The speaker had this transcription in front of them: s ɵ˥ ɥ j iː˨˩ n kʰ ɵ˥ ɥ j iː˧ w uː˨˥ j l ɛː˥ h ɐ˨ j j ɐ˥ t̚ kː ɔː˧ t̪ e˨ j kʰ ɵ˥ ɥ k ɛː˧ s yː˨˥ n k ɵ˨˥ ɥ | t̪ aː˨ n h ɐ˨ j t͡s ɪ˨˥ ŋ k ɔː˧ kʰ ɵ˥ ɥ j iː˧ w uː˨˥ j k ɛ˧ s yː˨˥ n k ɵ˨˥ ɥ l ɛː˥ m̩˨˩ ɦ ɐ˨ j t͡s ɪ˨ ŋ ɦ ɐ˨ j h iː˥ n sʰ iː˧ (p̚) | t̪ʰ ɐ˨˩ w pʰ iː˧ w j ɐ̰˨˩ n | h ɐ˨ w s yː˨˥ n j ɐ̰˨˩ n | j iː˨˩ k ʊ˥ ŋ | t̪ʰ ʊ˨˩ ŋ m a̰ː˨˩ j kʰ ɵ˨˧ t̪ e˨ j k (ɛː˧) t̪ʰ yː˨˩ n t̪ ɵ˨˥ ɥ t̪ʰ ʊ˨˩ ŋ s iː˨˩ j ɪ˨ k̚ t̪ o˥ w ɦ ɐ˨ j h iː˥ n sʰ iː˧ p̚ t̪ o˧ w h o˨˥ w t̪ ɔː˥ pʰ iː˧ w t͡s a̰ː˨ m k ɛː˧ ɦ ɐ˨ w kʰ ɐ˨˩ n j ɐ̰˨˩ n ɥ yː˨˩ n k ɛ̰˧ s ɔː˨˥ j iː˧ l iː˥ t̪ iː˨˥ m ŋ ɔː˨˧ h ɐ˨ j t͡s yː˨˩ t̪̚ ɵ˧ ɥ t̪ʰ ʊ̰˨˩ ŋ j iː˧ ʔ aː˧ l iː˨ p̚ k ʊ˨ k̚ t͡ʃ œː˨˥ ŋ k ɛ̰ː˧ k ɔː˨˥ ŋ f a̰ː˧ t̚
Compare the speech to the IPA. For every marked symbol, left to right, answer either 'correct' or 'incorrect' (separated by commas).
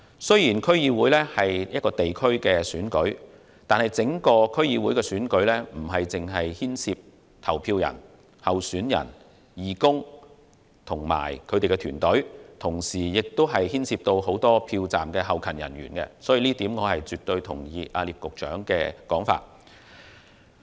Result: correct, incorrect